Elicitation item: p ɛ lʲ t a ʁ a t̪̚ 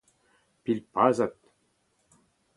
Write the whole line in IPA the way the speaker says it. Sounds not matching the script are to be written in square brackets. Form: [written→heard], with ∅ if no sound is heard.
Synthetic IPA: p [ɛ→i] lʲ [t→p] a [ʁ→z] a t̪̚